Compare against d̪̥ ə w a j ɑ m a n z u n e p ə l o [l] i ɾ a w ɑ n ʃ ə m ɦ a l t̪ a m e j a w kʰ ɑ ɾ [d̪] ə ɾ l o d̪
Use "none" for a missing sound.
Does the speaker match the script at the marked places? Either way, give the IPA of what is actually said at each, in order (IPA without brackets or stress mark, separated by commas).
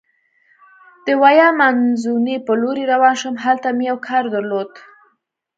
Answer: ɾ, d̪